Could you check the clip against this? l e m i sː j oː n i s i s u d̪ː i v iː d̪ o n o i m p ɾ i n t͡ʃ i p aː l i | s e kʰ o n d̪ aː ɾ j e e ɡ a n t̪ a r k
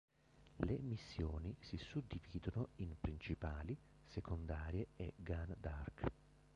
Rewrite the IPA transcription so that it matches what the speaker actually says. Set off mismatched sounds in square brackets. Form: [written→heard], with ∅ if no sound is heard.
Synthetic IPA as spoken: l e m i sː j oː n i s i s u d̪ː i v iː d̪ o n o i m p ɾ i n t͡ʃ i p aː l i | s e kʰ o n d̪ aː ɾ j e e ɡ a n [t̪→d̪] a r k

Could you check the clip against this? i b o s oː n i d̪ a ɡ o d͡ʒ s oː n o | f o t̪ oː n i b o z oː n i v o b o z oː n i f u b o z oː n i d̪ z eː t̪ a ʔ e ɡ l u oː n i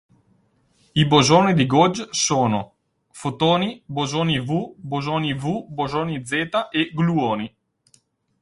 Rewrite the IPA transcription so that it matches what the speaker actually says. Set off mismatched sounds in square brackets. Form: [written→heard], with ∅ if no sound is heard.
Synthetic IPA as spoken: i b o [s→z] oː n i d̪ [a→i] ɡ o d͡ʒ s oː n o | f o t̪ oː n i b o z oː n i v [o→u] b o z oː n i [f→v] u b o z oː n i d̪ z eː t̪ a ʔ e ɡ l u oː n i

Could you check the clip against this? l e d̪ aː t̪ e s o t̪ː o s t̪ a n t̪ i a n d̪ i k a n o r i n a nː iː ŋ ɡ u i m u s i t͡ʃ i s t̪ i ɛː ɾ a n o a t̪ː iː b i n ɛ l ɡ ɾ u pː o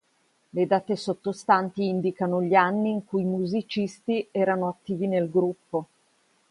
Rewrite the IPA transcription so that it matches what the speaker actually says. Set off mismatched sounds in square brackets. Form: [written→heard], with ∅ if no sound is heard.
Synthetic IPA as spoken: l e d̪ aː t̪ e s o t̪ː o s t̪ a n t̪ i [a→i] n d̪ i k a n o [r→ʎ] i [n→∅] a nː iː ŋ [ɡ→k] u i m u [s→z] i t͡ʃ i s t̪ i ɛː ɾ a n o a t̪ː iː [b→v] i n [ɛ→e] l ɡ ɾ u pː o

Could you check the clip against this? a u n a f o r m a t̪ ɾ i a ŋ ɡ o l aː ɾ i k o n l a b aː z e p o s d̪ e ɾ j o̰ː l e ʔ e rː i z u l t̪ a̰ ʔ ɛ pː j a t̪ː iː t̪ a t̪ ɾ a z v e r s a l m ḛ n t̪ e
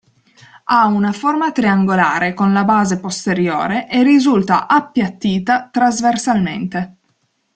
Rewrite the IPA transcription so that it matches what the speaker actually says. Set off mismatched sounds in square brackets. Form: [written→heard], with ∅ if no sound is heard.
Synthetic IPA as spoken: a u n a f o r m a t̪ ɾ i a ŋ ɡ o l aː ɾ [i→e] k o n l a b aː z e p o s [d̪→t̪] e ɾ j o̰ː [l→ɾ] e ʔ e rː i z u l t̪ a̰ ʔ [ɛ→a] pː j a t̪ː iː t̪ a t̪ ɾ a z v e r s a l m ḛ n t̪ e

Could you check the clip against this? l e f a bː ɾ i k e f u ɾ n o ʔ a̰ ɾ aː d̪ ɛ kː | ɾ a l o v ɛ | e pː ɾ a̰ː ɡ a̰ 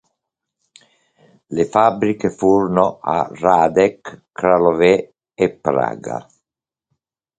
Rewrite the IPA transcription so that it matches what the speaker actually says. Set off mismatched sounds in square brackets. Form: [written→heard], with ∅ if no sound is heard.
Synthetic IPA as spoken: l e f a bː ɾ i k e f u ɾ n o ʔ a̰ [ɾ→r] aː d̪ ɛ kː | ɾ a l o v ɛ | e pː ɾ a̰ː ɡ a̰

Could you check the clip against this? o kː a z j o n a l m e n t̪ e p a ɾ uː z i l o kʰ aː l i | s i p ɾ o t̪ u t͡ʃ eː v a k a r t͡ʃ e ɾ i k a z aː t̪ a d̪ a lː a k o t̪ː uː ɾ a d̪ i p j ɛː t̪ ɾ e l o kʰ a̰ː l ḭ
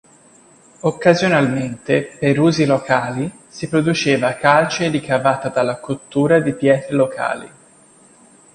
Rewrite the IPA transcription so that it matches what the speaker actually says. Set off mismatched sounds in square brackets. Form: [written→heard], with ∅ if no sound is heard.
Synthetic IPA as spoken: o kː a z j o n a l m e n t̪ e p [a→e] ɾ uː z i l o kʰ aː l i | s i p ɾ o [t̪→d̪] u t͡ʃ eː v a k a [r→l] t͡ʃ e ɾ i k a [z→v] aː t̪ a d̪ a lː a k o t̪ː uː ɾ a d̪ i p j ɛː t̪ ɾ e l o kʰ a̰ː l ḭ

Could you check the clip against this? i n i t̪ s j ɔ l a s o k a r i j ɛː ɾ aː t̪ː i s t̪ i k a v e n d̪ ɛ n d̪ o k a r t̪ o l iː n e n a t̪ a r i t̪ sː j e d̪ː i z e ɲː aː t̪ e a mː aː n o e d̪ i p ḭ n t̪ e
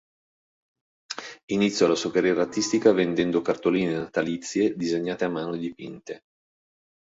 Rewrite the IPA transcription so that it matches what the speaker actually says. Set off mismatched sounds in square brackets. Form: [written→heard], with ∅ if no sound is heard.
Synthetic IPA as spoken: i n i t̪ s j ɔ l a s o k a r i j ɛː ɾ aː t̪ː i s t̪ i k a v e n d̪ ɛ n d̪ o k a r t̪ o l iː n e n a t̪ a [r→l] i t̪ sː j e [d̪ː→d̪] i z e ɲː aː t̪ e a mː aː n o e d̪ i p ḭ n t̪ e

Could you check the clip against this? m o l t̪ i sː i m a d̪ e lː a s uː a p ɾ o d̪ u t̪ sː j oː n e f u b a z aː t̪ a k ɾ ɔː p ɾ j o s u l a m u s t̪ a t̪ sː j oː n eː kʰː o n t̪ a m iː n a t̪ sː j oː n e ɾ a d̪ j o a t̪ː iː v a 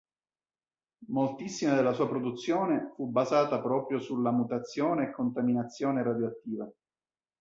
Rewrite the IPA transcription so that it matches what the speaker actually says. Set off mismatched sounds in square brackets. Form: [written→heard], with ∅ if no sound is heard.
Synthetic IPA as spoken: m o l t̪ i sː i m a d̪ e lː a s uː a p ɾ o d̪ u t̪ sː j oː n e f u b a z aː t̪ a [k→p] ɾ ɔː p ɾ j o s u l a m u [s→∅] t̪ a t̪ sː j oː n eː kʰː o n t̪ a m [iː→i] n a t̪ sː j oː n e ɾ a d̪ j o a t̪ː iː v a

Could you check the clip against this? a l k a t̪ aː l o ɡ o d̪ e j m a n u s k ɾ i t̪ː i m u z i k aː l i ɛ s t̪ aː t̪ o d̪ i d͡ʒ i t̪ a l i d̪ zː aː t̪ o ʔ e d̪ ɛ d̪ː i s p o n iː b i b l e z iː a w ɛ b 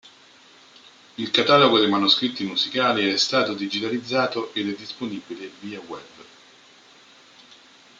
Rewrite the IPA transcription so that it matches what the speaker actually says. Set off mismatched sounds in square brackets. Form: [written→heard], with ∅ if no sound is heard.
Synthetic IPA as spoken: [a→i] l k a t̪ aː l o ɡ o d̪ e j m a n u s k ɾ i t̪ː i m u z i k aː l i ɛ s t̪ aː t̪ o d̪ i d͡ʒ i t̪ a l i d̪ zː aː t̪ o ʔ e d̪ ɛ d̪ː i s p o n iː b i [b→∅] l e [z→v] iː a w ɛ b

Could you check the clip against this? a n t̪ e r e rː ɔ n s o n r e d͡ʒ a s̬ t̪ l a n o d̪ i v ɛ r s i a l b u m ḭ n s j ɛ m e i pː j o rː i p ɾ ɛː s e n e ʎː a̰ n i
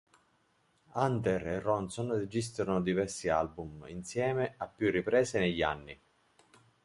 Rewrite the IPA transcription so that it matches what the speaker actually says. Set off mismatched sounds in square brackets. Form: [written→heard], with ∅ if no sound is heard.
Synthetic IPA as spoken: a n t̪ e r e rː ɔ n s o n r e d͡ʒ [a→i] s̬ t̪ [l→ɾ] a n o d̪ i v ɛ r s i a l b u m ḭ n s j [ɛ→ɛː] m e [i→a] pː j [o→u] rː i p ɾ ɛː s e n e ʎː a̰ [n→nː] i

